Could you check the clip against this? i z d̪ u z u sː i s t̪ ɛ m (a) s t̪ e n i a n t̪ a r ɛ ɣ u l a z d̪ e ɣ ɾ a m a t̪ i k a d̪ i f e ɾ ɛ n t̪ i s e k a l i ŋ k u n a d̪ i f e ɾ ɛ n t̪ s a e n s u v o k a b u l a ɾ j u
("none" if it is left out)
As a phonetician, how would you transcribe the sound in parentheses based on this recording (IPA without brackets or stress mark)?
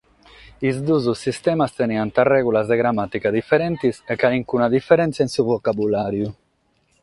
a